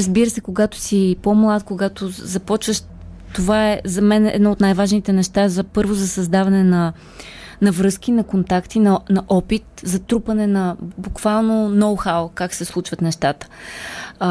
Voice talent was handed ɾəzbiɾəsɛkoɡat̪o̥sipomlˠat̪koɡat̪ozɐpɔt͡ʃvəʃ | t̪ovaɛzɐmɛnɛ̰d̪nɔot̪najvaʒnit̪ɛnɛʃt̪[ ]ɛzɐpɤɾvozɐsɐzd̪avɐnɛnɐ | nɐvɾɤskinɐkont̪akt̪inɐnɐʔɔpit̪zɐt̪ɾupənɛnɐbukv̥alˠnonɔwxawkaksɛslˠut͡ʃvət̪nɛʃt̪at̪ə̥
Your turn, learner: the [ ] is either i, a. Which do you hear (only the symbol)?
a